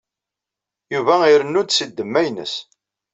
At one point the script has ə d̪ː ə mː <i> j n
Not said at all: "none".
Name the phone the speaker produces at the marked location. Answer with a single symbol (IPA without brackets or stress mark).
æ